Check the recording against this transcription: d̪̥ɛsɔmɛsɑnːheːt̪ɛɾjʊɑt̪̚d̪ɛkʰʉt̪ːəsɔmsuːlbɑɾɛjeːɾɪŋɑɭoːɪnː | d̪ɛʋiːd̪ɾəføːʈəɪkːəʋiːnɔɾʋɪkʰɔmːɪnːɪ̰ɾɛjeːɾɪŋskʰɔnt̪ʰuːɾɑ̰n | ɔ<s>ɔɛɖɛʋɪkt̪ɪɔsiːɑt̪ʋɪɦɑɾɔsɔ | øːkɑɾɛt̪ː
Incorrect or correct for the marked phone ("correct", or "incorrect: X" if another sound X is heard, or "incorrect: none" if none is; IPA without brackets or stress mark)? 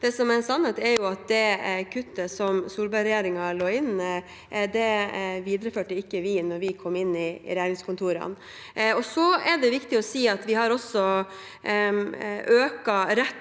correct